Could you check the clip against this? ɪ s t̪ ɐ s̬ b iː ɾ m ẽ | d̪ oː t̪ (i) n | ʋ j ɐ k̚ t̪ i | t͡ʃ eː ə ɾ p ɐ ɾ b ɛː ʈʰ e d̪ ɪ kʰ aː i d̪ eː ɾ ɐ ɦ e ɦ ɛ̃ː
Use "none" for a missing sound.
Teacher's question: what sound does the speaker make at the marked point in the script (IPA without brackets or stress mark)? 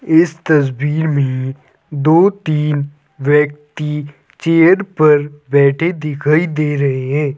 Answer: iː